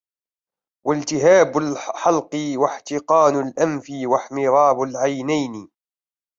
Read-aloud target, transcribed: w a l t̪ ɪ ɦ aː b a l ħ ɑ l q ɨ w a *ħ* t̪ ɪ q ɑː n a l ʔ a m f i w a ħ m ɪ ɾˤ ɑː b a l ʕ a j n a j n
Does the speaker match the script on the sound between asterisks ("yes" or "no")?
yes